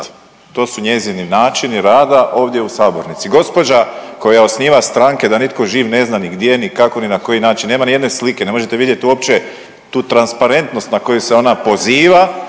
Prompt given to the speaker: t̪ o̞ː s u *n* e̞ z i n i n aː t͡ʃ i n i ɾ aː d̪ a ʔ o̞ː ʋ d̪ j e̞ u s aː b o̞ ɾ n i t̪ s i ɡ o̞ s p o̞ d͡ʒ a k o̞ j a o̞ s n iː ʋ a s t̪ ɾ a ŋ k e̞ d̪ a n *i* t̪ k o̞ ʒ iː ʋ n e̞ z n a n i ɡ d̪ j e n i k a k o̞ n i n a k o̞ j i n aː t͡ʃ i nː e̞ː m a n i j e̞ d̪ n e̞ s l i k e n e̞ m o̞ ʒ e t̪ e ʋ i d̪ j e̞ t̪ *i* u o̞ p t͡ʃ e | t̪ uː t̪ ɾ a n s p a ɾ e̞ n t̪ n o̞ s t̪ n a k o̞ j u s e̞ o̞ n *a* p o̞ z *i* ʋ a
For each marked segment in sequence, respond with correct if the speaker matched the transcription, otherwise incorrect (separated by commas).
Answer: incorrect, correct, correct, correct, incorrect